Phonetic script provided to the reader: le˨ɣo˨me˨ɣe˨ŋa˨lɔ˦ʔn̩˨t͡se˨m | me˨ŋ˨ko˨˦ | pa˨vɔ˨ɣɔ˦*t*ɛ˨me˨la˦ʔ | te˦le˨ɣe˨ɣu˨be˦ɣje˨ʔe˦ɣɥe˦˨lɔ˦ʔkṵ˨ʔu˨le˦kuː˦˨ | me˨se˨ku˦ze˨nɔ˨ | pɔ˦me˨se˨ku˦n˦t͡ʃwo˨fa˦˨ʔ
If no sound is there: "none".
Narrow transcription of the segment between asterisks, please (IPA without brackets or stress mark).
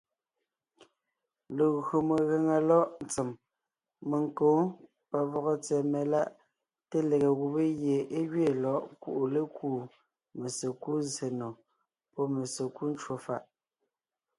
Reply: t͡s